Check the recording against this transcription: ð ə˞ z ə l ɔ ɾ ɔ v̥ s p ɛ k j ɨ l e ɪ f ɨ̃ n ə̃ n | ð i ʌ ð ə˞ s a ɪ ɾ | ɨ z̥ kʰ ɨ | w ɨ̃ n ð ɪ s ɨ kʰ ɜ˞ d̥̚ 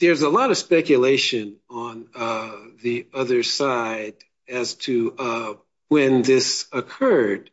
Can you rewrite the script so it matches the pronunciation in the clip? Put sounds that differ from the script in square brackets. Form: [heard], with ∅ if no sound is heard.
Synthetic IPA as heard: ð ə˞ z ə l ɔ ɾ [ʌ] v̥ s p ɛ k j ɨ l e ɪ [ʃ] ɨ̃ n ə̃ n | ð i ʌ ð ə˞ s a ɪ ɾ | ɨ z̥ [tʰ] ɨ | w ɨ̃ n ð ɪ s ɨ kʰ ɜ˞ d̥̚

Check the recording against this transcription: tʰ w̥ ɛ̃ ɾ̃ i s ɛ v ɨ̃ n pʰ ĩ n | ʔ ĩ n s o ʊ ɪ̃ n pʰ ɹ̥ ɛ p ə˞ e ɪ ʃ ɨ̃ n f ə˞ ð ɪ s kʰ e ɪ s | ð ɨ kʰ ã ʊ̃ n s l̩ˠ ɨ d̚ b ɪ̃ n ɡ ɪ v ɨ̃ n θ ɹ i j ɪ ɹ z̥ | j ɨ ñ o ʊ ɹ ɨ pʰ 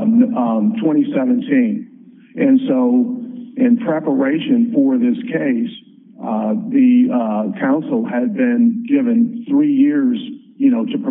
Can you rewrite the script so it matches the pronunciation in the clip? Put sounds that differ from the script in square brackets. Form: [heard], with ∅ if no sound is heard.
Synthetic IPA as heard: tʰ w̥ ɛ̃ ɾ̃ i s ɛ v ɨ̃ n [tʰ] ĩ n | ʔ [ɨ̃] n s o ʊ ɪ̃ n pʰ ɹ̥ ɛ p ə˞ e ɪ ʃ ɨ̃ n f ə˞ ð ɪ s kʰ e ɪ s | ð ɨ kʰ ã ʊ̃ n s l̩ˠ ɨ d̚ b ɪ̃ n ɡ ɪ v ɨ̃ n θ ɹ i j ɪ ɹ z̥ | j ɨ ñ o ʊ [ɾ] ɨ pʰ

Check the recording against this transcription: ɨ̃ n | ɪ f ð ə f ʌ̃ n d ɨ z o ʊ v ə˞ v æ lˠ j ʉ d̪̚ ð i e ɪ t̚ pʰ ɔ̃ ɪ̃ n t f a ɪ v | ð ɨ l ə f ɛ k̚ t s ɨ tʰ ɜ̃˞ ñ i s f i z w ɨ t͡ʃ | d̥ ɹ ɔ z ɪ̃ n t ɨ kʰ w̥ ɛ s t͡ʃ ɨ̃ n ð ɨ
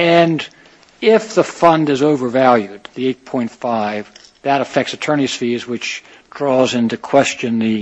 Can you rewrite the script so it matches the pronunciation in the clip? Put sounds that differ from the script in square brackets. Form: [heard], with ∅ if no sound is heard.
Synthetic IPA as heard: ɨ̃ n | ɪ f ð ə f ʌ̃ n d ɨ z o ʊ v ə˞ v æ lˠ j ʉ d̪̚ ð i e ɪ t̚ pʰ ɔ̃ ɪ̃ n t f a ɪ v | ð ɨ [ɾ] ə f ɛ k̚ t s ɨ tʰ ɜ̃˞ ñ i s f i z w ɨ t͡ʃ | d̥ ɹ ɔ z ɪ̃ n t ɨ kʰ w̥ ɛ s t͡ʃ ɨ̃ n ð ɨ

